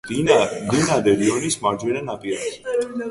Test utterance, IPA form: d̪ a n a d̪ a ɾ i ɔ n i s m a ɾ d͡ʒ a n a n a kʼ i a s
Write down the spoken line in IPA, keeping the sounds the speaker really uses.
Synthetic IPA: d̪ i n a d̪ ɛ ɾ i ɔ n i s m a ɾ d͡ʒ ɛ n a n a pʼ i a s